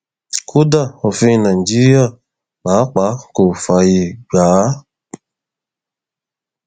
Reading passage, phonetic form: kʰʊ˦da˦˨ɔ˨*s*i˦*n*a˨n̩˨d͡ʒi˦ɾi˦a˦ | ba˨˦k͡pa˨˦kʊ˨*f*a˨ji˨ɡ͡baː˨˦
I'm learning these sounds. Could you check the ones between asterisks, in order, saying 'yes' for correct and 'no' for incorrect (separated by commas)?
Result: no, yes, yes